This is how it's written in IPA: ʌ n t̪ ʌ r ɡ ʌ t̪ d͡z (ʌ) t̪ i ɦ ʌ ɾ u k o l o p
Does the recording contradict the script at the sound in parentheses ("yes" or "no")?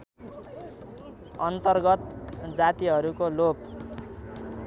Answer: yes